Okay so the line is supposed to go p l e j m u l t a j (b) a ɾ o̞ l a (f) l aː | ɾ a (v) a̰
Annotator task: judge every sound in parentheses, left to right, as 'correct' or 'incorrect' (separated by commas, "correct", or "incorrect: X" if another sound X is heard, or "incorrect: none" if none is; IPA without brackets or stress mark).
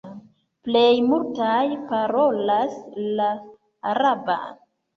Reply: incorrect: p, incorrect: s, incorrect: b